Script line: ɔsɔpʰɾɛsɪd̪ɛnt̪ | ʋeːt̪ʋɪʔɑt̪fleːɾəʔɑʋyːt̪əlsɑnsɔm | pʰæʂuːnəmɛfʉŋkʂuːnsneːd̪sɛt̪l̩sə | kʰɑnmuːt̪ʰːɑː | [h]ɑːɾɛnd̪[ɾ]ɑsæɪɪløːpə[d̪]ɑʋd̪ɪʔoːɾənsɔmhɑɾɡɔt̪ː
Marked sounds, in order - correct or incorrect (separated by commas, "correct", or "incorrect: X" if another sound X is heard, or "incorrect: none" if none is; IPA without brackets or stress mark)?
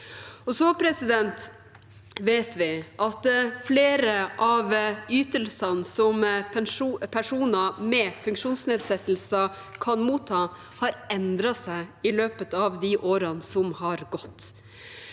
correct, correct, incorrect: t̪